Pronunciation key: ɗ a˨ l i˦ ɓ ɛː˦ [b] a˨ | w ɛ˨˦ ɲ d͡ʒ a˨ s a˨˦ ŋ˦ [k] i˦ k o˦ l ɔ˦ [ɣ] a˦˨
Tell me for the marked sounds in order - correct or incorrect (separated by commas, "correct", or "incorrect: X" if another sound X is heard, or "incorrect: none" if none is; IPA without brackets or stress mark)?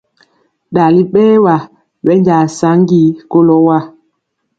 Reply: incorrect: w, incorrect: ɡ, incorrect: w